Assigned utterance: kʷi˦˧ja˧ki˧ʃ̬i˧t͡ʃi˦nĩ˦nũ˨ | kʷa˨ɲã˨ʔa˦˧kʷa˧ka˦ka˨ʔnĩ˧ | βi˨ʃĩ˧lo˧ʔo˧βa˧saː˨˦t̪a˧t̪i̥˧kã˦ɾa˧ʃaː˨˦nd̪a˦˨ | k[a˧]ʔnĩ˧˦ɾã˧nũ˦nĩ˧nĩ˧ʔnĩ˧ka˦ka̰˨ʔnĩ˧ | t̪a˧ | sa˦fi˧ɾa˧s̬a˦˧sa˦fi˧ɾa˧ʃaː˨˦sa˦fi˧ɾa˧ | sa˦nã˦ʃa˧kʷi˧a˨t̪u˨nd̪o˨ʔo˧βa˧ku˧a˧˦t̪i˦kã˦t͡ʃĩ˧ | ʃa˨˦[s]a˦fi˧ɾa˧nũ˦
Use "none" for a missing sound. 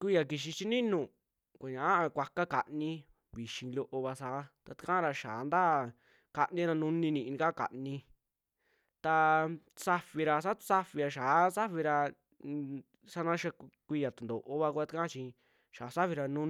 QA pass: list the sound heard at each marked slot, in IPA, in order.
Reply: a˧, s

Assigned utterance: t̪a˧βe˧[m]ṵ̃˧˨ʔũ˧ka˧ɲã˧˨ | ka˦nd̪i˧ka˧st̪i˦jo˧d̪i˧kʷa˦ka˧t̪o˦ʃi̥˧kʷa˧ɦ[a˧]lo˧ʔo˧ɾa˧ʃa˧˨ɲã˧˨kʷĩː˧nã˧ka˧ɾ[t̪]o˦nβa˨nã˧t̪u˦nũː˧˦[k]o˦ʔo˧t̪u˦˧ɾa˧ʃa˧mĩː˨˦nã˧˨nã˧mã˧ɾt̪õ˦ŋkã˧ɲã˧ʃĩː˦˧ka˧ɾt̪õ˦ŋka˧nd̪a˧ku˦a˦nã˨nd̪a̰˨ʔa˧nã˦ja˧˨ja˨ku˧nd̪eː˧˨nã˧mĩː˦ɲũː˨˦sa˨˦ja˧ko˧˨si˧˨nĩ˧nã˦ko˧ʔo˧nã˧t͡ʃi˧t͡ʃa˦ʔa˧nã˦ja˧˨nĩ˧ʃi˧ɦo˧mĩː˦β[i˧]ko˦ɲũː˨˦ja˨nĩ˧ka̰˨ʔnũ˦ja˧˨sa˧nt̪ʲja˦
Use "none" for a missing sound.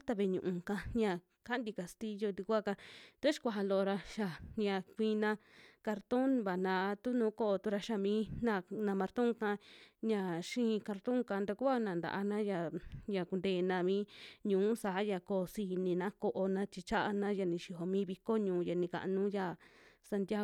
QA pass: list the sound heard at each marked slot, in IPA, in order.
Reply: ɲ, a˧, t̪, k, i˧

